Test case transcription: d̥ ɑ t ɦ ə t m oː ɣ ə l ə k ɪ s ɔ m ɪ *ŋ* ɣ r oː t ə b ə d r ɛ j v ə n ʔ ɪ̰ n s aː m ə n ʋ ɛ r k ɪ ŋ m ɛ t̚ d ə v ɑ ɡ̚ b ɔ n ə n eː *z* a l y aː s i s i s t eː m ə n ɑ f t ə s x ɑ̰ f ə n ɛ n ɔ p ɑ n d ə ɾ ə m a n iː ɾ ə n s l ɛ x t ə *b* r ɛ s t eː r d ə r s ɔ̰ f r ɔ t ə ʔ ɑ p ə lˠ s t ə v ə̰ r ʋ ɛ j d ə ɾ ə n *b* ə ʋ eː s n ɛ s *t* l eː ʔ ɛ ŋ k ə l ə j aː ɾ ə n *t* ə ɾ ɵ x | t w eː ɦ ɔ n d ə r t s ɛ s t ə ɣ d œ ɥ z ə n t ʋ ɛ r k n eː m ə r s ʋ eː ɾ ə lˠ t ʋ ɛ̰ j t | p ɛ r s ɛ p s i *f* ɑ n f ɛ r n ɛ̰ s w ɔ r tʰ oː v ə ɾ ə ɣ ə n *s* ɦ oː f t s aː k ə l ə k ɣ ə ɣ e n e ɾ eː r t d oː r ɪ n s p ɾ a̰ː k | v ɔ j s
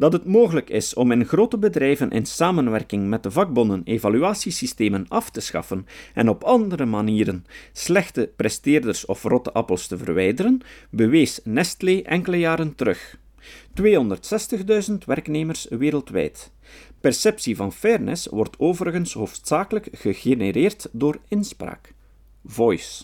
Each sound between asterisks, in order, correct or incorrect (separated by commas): incorrect, incorrect, incorrect, correct, correct, correct, incorrect, correct